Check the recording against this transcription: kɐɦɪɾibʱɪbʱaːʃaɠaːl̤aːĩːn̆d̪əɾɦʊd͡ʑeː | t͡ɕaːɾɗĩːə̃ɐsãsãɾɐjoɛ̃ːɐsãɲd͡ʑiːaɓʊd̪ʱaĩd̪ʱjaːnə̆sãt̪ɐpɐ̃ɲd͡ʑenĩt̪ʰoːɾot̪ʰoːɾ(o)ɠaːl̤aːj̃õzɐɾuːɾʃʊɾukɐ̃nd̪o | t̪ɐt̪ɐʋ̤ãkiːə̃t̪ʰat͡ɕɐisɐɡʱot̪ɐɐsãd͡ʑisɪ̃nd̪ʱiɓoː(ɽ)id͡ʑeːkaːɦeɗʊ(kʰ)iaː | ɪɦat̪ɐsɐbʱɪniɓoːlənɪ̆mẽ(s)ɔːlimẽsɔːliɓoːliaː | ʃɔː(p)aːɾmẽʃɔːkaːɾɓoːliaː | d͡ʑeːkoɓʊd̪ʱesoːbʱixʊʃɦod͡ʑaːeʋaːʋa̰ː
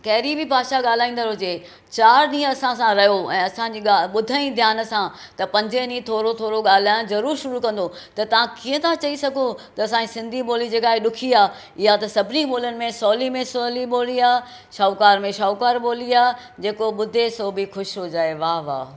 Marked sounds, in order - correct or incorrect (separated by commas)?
correct, incorrect, correct, correct, incorrect